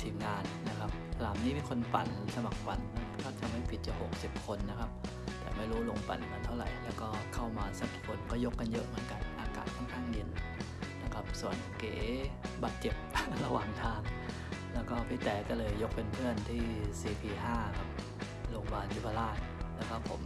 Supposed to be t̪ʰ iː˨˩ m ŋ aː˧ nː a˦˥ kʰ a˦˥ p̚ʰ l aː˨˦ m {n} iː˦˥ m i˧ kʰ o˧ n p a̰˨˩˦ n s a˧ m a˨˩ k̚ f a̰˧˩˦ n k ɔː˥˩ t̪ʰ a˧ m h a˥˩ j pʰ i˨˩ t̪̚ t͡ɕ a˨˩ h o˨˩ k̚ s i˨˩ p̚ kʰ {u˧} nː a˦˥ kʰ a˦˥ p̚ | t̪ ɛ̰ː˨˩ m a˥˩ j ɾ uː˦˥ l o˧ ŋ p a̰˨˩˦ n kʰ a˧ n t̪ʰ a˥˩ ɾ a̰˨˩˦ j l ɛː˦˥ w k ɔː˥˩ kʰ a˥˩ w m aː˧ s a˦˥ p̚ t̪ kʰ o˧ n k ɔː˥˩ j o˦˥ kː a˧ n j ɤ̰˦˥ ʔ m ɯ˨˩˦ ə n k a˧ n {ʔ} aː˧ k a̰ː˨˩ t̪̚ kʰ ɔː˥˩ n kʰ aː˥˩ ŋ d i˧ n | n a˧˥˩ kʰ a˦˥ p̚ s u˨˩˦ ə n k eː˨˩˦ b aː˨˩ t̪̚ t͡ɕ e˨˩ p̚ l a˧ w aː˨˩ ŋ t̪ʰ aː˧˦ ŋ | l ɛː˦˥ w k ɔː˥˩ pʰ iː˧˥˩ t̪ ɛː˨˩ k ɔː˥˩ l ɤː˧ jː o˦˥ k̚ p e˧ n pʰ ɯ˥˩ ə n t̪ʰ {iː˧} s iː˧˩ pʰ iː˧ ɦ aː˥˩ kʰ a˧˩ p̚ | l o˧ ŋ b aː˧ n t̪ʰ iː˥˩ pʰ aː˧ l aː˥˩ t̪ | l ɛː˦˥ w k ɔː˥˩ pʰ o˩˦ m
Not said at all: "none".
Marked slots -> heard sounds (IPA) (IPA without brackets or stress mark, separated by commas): n, o˧, ʔ, iː˥˩